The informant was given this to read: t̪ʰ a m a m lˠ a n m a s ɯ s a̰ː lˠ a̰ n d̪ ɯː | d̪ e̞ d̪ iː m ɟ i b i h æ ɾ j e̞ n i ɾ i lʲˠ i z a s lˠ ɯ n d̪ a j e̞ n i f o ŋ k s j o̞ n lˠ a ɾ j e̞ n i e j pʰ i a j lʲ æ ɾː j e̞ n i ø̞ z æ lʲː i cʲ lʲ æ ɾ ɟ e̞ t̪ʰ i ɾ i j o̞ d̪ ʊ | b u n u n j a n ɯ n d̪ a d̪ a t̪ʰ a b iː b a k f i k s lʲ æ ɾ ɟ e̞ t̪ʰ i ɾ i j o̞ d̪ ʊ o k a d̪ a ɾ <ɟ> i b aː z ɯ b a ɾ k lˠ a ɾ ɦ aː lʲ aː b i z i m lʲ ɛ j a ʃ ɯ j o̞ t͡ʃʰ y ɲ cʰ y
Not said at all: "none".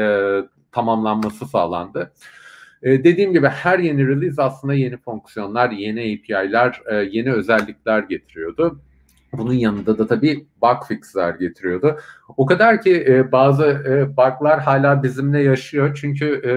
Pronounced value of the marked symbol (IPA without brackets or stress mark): c